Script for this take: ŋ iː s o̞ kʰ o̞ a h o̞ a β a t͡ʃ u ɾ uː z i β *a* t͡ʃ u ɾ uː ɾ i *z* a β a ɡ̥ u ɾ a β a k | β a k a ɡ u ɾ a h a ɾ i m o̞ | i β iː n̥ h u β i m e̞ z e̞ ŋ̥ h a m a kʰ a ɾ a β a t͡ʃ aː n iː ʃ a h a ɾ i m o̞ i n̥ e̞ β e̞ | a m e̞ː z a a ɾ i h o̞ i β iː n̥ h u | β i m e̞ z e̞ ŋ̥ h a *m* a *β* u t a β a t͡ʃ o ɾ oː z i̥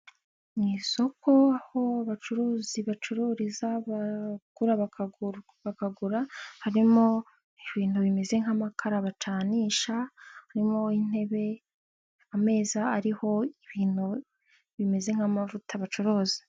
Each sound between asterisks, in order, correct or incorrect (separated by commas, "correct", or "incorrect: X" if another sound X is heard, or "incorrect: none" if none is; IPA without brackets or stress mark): correct, correct, correct, incorrect: v